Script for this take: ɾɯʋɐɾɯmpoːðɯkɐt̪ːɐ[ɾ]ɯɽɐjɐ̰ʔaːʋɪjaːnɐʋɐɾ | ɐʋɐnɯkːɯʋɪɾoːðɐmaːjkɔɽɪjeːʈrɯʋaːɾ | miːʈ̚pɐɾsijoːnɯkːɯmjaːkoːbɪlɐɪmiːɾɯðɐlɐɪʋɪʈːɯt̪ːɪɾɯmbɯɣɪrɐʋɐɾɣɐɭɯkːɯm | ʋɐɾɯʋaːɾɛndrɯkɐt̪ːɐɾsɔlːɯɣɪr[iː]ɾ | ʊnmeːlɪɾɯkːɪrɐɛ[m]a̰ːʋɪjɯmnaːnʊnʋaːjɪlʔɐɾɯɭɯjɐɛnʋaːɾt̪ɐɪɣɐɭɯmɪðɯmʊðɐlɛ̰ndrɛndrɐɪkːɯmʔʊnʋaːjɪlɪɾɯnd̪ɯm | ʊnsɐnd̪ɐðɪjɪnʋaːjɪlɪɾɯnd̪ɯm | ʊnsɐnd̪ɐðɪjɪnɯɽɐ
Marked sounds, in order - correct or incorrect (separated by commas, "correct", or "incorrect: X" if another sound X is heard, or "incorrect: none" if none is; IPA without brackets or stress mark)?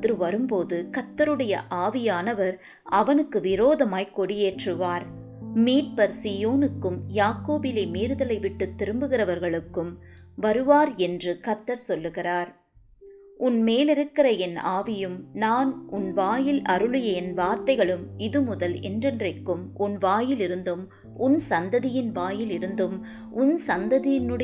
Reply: correct, incorrect: aː, incorrect: n